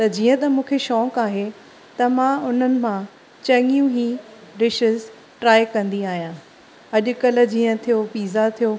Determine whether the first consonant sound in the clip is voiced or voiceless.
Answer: voiceless